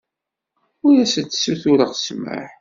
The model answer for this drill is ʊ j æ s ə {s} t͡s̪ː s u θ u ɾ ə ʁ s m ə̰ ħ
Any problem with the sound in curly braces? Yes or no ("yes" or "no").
yes